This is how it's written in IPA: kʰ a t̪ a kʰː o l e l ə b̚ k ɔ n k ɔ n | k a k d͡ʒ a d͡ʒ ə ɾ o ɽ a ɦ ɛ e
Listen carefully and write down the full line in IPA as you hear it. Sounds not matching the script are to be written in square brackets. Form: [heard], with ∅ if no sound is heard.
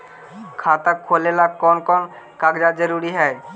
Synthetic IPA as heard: kʰ a t̪ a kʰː o l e l [a] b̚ k ɔ n k ɔ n | k a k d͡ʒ a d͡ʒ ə ɾ [u] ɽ [i] ɦ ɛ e